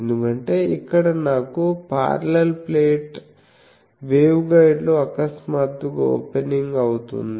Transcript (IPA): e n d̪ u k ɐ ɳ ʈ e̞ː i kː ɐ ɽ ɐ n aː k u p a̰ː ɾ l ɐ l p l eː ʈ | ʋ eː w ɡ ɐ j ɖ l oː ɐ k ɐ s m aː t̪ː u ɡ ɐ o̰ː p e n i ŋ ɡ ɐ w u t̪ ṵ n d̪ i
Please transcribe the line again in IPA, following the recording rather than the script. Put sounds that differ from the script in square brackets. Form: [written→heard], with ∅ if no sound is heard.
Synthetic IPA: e n d̪ u k ɐ ɳ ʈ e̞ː i kː ɐ ɽ ɐ n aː k u p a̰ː ɾ l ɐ l p l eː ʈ | ʋ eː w ɡ ɐ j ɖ l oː ɐ k ɐ s m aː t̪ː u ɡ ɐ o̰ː p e n i ŋ ɡ ɐ w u t̪ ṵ n d̪ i

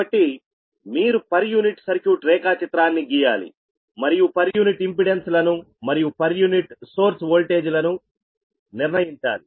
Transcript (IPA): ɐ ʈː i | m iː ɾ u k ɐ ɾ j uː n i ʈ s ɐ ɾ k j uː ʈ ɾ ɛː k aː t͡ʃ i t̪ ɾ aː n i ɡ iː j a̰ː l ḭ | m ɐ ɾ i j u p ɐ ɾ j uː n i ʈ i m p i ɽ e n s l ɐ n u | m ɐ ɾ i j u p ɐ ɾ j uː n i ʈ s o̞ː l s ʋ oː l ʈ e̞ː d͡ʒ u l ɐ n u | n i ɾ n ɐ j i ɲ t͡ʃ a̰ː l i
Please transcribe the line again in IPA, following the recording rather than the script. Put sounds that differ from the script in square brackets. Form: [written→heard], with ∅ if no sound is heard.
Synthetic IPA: ɐ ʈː i | m iː ɾ u [k→p] ɐ ɾ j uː n i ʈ s ɐ ɾ k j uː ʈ ɾ ɛː k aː t͡ʃ i t̪ ɾ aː [n→nː] i ɡ iː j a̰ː l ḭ | m ɐ ɾ i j u p ɐ ɾ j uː n i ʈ i m p i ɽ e n s l ɐ n u | m ɐ ɾ i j u p ɐ ɾ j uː n i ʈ s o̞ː [l→ɾ] s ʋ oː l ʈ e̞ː d͡ʒ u l ɐ n u | n i ɾ n ɐ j i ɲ t͡ʃ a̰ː l i

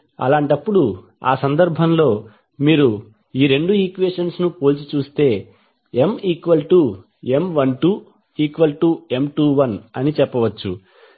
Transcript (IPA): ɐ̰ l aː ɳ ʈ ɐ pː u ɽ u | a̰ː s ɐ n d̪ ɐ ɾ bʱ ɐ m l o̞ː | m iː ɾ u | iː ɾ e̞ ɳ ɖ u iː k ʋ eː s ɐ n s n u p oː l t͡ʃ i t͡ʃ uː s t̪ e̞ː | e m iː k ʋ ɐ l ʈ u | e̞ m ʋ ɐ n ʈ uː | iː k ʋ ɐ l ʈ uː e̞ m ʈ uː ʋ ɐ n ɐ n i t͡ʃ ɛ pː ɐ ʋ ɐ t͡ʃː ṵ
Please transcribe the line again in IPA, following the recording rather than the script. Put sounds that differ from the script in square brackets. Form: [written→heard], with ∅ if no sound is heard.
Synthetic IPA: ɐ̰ l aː ɳ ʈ ɐ pː u ɽ u | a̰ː s ɐ n d̪ ɐ ɾ bʱ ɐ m l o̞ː | m iː ɾ u | iː ɾ e̞ ɳ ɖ u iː k ʋ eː [s→ʂ] ɐ n s n u p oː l t͡ʃ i t͡ʃ uː s t̪ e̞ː | e m iː k ʋ ɐ l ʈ u | e̞ m ʋ ɐ n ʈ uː | iː k ʋ ɐ l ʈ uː e̞ m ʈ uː ʋ ɐ n ɐ n i t͡ʃ ɛ pː ɐ ʋ ɐ t͡ʃː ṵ

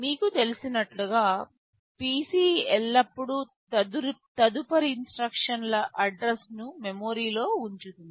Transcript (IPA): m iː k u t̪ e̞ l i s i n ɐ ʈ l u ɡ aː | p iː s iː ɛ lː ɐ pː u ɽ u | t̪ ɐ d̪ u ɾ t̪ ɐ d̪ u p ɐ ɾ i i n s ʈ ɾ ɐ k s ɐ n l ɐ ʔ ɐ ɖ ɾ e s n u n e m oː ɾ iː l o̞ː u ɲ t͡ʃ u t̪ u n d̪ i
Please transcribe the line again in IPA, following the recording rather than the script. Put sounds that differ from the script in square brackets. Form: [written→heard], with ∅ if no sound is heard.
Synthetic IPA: m iː k u t̪ e̞ l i s i n ɐ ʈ l u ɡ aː | p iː s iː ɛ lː ɐ pː u ɽ u | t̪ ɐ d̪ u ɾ t̪ ɐ d̪ u p ɐ ɾ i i n s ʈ ɾ ɐ k [s→ʂ] ɐ n l ɐ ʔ ɐ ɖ ɾ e s n u [n→m] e m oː ɾ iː l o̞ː u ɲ t͡ʃ u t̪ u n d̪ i

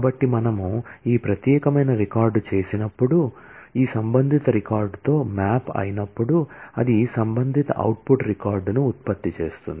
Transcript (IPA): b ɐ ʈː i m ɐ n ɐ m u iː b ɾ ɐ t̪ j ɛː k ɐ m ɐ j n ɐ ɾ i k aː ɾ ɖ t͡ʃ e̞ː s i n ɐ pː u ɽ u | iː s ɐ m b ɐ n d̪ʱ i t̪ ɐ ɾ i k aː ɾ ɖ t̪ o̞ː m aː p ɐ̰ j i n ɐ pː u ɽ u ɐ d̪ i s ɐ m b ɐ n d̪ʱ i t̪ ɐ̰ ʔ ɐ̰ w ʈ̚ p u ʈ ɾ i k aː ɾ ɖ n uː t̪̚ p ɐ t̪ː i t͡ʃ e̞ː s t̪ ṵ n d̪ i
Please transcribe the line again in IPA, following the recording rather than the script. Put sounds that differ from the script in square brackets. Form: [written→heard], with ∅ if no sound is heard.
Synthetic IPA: b ɐ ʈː i m ɐ n ɐ m u iː [b→p] ɾ ɐ t̪ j ɛː k ɐ m ɐ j n ɐ ɾ i k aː ɾ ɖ t͡ʃ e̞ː s i n ɐ pː u ɽ u | iː s ɐ m b ɐ n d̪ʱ i t̪ ɐ ɾ i k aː ɾ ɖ t̪ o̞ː m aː p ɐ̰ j i n ɐ pː u ɽ u ɐ d̪ i s ɐ m b ɐ n d̪ʱ i t̪ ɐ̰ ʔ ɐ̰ w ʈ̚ p u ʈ ɾ i k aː ɾ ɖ n uː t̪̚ p ɐ t̪ː i t͡ʃ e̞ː s t̪ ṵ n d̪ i

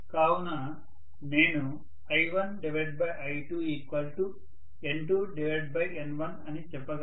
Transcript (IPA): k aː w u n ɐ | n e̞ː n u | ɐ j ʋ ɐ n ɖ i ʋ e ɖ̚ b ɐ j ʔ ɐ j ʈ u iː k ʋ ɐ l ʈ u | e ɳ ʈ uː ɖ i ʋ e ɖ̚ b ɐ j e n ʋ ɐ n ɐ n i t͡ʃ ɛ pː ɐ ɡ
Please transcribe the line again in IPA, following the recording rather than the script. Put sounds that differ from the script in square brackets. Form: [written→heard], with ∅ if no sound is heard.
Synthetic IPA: k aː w u n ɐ | n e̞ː n u | ɐ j ʋ ɐ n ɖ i ʋ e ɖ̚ b ɐ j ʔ ɐ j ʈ u iː k ʋ ɐ l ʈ u | e ɳ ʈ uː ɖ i ʋ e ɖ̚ b ɐ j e n ʋ ɐ n ɐ n i t͡ʃ ɛ pː ɐ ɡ

